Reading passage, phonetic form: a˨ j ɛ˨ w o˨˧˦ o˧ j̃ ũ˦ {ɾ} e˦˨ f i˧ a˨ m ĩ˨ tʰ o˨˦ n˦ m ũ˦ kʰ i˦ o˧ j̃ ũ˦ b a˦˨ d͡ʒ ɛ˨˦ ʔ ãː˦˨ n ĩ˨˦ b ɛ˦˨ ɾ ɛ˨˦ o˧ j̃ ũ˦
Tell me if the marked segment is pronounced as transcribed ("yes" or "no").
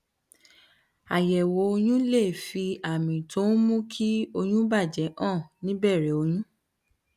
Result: no